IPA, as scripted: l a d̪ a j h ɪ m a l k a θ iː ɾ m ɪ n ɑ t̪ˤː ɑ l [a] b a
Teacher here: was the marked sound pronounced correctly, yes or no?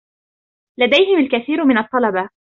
no